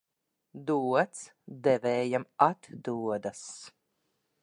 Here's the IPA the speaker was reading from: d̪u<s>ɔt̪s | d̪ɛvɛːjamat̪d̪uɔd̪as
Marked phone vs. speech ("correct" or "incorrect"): incorrect